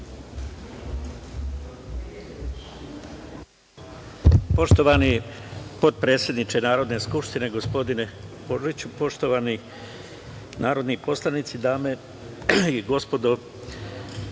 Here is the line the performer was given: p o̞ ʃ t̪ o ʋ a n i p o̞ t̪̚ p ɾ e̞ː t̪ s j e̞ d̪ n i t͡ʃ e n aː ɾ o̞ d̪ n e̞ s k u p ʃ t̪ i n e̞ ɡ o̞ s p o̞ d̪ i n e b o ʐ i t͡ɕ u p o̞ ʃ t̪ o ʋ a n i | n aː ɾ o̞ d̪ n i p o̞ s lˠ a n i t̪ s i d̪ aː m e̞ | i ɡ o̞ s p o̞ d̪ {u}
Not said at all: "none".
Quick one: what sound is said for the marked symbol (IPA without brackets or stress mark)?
o